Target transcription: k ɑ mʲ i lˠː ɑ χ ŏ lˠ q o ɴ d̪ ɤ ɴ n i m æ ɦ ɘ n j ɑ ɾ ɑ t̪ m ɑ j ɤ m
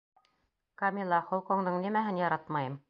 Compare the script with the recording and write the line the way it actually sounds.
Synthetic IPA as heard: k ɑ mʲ i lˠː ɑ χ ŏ lˠ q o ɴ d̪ ɤ ɴ n i m æ ɦ ɘ n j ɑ ɾ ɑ t̪ m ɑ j ɤ m